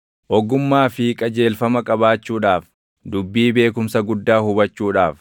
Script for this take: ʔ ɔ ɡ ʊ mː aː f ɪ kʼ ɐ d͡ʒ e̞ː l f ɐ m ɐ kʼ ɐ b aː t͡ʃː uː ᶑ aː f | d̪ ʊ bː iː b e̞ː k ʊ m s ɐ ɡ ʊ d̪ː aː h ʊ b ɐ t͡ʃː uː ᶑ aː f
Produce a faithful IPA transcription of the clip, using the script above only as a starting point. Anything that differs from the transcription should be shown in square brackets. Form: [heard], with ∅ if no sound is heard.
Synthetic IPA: ʔ ɔ ɡ ʊ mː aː f ɪ kʼ ɐ d͡ʒ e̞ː l f ɐ m ɐ kʼ ɐ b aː t͡ʃː uː ᶑ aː f | d̪ ʊ bː iː b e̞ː k ʊ m s ɐ ɡ ʊ d̪ː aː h ʊ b ɐ t͡ʃː uː ᶑ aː f